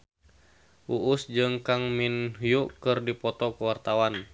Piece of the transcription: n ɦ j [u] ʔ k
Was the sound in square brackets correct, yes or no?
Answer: yes